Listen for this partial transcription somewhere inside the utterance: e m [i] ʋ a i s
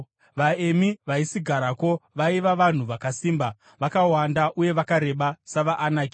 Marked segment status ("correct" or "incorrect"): correct